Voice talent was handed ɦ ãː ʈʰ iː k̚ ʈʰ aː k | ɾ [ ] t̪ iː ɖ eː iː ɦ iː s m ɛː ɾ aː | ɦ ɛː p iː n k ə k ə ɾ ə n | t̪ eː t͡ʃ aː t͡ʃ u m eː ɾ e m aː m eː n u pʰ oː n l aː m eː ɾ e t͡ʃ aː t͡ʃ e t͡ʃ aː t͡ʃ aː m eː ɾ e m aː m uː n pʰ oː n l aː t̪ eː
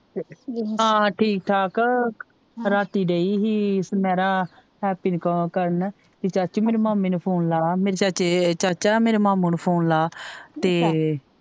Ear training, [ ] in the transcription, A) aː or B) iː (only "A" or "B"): A